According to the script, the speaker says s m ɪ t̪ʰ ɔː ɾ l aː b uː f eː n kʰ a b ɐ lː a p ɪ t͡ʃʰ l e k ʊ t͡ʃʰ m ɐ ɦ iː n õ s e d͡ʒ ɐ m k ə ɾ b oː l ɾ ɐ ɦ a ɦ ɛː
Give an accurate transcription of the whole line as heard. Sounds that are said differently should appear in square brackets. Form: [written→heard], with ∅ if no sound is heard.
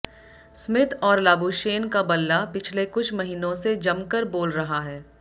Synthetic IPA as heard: s m ɪ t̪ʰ ɔː ɾ l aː b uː [f→ʃ] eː n [kʰ→k] a b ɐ lː a p ɪ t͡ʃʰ l e k ʊ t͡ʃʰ m ɐ ɦ iː n õ s e d͡ʒ ɐ m k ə ɾ b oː l ɾ ɐ ɦ a ɦ ɛː

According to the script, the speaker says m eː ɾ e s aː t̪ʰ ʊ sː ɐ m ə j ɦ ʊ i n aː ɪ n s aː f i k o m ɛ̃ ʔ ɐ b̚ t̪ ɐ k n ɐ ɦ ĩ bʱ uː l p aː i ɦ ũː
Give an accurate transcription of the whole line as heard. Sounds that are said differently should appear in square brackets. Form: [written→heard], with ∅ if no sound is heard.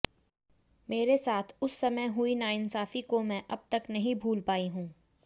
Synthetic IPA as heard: m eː ɾ e s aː t̪ʰ ʊ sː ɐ m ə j ɦ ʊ i n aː ɪ n s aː f i k o m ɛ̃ ʔ ɐ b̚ t̪ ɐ k n ɐ ɦ ĩ bʱ uː l p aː i ɦ ũː

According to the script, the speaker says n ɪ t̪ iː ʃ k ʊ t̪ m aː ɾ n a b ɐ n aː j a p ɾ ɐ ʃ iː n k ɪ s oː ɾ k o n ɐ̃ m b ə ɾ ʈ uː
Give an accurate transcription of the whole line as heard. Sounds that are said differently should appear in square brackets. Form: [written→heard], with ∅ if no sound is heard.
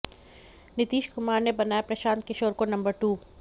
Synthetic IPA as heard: n ɪ t̪ iː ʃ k ʊ [t̪→∅] m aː ɾ n [a→e] b ɐ n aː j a p ɾ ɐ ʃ [iː→aː] n k ɪ [s→ʃ] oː ɾ k o n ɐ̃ m b ə ɾ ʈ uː

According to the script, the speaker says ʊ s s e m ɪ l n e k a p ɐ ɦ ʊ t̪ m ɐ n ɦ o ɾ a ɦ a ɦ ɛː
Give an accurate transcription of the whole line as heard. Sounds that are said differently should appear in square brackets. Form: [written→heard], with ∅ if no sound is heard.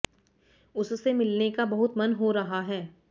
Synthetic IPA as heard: ʊ s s e m ɪ l n e k a [p→b] ɐ ɦ ʊ t̪ m ɐ n ɦ o ɾ [a→ɐ] ɦ a ɦ ɛː

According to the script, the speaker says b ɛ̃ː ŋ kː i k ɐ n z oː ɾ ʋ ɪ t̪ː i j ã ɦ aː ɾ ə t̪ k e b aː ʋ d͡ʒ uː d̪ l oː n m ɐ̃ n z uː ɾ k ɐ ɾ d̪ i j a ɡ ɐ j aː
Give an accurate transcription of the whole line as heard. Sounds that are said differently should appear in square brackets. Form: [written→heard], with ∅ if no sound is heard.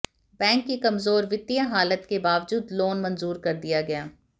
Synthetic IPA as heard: b ɛ̃ː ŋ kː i k ɐ [n→m] z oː ɾ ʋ ɪ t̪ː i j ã ɦ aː [ɾ→l] ə t̪ k e b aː ʋ d͡ʒ uː d̪ l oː n m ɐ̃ n z uː ɾ k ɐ ɾ d̪ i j a ɡ ɐ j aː

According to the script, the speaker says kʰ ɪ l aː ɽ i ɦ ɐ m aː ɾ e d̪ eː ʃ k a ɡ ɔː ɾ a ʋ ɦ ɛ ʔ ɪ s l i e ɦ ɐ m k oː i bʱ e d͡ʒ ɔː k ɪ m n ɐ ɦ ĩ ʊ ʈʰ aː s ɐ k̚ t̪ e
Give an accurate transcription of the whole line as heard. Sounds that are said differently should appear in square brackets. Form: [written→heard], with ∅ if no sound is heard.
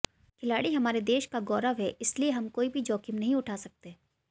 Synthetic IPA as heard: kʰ ɪ l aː ɽ i ɦ ɐ m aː ɾ e d̪ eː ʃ k a ɡ ɔː ɾ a ʋ ɦ ɛ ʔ ɪ s l i e ɦ ɐ m k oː i bʱ [e→i] d͡ʒ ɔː k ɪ m n ɐ ɦ ĩ ʊ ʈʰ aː s ɐ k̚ t̪ e

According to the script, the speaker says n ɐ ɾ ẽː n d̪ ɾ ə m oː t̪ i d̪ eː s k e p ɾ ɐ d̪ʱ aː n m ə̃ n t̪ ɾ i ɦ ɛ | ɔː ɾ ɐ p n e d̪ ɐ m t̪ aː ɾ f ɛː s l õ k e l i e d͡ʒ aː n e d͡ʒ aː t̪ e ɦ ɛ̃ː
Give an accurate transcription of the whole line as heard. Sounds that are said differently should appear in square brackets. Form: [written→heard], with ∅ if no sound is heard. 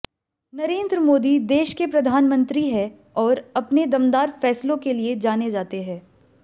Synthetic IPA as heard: n ɐ ɾ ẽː n d̪ ɾ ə m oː [t̪→d̪] i d̪ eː [s→ʃ] k e p ɾ ɐ d̪ʱ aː n m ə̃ n t̪ ɾ i ɦ ɛ | ɔː ɾ ɐ p n e d̪ ɐ m [t̪→d̪] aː ɾ f ɛː s l õ k e l i e d͡ʒ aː n e d͡ʒ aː t̪ e ɦ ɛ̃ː

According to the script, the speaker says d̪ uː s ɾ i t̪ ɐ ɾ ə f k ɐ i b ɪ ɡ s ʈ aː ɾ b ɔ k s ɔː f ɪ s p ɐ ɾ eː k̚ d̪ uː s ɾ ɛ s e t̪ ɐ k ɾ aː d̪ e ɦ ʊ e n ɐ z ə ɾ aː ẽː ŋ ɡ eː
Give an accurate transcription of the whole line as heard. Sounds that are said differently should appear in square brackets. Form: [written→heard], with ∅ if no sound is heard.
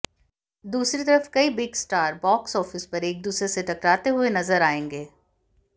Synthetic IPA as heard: d̪ uː s ɾ i t̪ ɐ ɾ ə f k ɐ i b ɪ ɡ s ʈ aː ɾ b [ɔ→ɔː] k s ɔː f ɪ s p ɐ ɾ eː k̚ d̪ uː s ɾ [ɛ→e] s e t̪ ɐ k ɾ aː [d̪→t̪] e ɦ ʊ e n ɐ z ə ɾ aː ẽː ŋ ɡ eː

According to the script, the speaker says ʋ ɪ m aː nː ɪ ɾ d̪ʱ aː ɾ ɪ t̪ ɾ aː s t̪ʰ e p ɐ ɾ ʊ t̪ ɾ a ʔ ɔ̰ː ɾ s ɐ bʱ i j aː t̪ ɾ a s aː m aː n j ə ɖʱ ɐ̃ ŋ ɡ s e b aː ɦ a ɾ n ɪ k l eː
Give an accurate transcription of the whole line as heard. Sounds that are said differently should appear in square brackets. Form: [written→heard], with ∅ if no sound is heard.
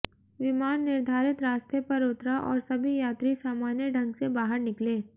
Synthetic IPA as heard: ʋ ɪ m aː nː ɪ ɾ d̪ʱ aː ɾ ɪ t̪ ɾ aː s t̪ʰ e p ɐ ɾ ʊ t̪ ɾ a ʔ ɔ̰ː ɾ s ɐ bʱ i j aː t̪ ɾ [a→i] s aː m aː n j ə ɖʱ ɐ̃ ŋ ɡ s e b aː ɦ [a→ə] ɾ n ɪ k l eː

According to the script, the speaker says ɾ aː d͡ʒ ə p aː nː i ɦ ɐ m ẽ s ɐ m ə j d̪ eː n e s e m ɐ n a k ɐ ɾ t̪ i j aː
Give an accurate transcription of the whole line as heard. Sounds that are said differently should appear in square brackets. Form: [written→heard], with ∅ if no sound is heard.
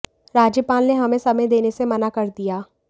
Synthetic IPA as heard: ɾ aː d͡ʒ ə p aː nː [i→e] ɦ ɐ m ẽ s ɐ m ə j d̪ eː n e s e m ɐ n a k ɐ ɾ [t̪→d̪] i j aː

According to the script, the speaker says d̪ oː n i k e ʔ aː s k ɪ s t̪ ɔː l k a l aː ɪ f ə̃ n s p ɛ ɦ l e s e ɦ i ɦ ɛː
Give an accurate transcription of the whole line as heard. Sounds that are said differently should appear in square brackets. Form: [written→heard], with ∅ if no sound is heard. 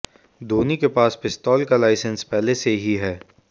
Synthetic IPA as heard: d̪ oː n i k e [ʔ→p] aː s [k→p] ɪ s t̪ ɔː l k a l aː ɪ [f→s] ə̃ n s p ɛ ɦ l e s e ɦ i ɦ ɛː

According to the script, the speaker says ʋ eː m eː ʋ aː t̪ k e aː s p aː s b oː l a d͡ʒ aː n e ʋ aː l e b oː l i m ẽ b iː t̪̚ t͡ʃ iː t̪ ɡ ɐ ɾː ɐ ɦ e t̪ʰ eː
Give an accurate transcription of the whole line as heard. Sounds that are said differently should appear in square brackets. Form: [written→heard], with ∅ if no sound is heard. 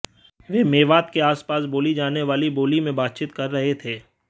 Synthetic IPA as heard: ʋ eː m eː ʋ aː t̪ k e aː s p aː s b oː l [a→i] d͡ʒ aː n e ʋ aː l [e→i] b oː l i m ẽ b [iː→aː] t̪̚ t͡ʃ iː t̪ [ɡ→k] ɐ ɾː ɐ ɦ e t̪ʰ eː

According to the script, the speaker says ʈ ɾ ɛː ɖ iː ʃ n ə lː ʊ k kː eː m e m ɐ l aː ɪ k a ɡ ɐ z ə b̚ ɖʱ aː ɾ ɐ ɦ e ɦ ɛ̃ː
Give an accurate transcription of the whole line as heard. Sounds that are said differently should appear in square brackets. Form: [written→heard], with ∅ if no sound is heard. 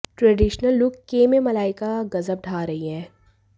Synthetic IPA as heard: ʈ ɾ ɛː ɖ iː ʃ n ə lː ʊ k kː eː m e m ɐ l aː ɪ k a ɡ ɐ z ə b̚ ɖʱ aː ɾ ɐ ɦ [e→i] ɦ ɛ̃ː

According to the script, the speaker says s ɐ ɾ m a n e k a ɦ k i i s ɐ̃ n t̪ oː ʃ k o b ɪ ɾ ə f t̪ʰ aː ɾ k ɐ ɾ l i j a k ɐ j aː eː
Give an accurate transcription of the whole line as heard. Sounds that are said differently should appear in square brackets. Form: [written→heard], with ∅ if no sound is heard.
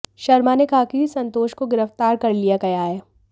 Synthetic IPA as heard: [s→ʃ] ɐ ɾ m a n e k a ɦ k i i s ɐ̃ n t̪ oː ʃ k o [b→ɡ] ɪ ɾ ə f [t̪ʰ→t̪] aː ɾ k ɐ ɾ l i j a k ɐ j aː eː

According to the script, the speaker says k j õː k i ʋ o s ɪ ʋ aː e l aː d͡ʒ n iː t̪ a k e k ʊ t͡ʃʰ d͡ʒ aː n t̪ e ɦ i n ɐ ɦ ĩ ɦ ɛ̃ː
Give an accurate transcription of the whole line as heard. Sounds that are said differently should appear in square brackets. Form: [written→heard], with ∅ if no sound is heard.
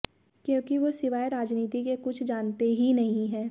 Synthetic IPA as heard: k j õː k i ʋ o s ɪ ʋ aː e [l→ɾ] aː d͡ʒ n iː t̪ [a→i] k e k ʊ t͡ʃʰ d͡ʒ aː n t̪ e ɦ i n ɐ ɦ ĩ ɦ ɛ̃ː

